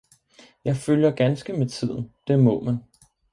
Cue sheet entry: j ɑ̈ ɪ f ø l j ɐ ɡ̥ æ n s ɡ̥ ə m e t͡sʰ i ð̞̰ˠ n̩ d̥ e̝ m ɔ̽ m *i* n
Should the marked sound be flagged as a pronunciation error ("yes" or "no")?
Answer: yes